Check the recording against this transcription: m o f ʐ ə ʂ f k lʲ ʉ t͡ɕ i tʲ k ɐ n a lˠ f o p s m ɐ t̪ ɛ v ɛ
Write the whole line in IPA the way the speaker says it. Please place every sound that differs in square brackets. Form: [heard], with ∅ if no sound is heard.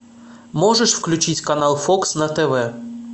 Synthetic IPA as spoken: m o [∅] ʐ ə ʂ f k lʲ ʉ t͡ɕ i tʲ k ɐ n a lˠ f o [k] s [n] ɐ t̪ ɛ v ɛ